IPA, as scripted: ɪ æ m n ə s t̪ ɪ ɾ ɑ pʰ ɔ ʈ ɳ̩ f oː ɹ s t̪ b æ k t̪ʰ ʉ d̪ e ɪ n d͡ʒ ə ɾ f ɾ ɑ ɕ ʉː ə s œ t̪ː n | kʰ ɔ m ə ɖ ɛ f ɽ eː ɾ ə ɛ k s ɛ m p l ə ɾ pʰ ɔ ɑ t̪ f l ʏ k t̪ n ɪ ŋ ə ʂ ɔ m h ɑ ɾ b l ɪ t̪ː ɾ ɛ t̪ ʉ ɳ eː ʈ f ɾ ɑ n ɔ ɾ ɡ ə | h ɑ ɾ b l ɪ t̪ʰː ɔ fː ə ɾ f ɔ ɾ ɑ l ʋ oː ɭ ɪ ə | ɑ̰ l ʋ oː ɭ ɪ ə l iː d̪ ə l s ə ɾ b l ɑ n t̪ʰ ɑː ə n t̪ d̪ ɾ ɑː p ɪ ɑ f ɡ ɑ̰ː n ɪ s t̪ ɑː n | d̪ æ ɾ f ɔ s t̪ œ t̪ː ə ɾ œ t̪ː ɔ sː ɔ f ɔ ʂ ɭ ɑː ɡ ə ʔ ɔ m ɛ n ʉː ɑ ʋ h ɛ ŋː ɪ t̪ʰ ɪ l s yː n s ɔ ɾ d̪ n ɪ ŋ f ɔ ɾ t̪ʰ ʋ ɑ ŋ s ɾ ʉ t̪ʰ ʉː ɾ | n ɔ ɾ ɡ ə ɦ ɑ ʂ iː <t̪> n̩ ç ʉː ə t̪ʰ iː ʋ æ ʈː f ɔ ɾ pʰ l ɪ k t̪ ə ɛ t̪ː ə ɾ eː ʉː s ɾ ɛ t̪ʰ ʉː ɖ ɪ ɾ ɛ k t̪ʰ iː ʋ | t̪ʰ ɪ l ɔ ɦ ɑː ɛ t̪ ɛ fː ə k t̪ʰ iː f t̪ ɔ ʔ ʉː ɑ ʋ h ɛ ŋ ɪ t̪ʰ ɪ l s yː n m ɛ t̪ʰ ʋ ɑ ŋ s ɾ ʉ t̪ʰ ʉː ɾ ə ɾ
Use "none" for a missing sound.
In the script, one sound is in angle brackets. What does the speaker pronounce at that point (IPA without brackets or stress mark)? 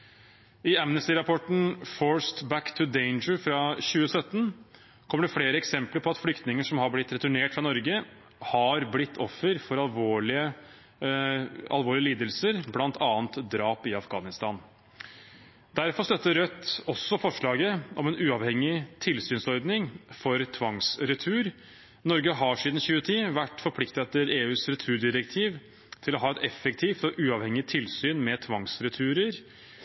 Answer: d̪